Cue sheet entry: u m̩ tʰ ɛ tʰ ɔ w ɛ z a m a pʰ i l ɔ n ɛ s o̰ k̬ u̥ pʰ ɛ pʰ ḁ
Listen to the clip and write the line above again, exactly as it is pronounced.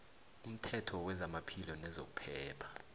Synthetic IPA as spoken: u m̩ tʰ ɛ tʰ ɔ w ɛ z a m a pʰ i l ɔ n ɛ z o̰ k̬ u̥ pʰ ɛː pʰ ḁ